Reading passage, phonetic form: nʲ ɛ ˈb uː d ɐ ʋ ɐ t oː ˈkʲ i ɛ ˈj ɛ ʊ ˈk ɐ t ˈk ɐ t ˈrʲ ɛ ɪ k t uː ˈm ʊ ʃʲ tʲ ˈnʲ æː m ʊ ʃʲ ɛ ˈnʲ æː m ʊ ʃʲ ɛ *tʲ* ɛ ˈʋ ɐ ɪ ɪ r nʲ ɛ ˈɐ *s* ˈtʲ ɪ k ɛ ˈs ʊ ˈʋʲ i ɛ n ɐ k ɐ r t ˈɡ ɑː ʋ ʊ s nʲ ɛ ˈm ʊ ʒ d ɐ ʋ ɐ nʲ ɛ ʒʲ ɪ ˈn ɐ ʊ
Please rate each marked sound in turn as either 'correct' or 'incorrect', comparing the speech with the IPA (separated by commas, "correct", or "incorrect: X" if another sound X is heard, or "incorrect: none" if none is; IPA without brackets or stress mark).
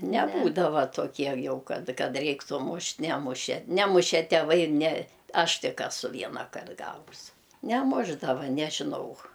correct, incorrect: ʃ